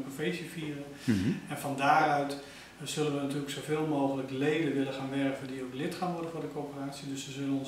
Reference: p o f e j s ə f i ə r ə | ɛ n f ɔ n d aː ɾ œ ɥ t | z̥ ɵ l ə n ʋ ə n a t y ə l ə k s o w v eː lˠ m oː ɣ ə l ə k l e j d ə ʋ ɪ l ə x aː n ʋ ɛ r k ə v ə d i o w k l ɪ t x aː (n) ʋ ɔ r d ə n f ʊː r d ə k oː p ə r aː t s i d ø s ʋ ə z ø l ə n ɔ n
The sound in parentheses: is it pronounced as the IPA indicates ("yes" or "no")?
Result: yes